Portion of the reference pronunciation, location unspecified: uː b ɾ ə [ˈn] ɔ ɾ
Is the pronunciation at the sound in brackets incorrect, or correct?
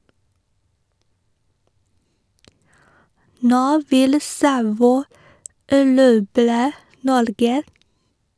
correct